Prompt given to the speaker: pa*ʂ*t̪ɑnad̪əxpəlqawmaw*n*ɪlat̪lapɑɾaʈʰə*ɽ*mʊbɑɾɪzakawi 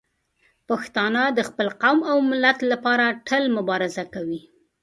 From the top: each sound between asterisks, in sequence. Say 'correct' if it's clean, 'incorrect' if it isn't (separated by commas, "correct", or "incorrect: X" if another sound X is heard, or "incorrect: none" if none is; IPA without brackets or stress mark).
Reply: incorrect: x, incorrect: m, incorrect: l